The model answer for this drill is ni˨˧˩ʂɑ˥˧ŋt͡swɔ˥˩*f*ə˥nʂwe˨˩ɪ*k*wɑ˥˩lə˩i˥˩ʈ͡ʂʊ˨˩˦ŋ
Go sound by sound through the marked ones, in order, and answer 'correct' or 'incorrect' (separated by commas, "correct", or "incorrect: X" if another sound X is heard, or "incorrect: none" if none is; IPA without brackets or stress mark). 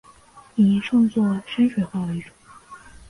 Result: incorrect: ʂ, incorrect: x